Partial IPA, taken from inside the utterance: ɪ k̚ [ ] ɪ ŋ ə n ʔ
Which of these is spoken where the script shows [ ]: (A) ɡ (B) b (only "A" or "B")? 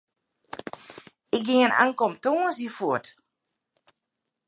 A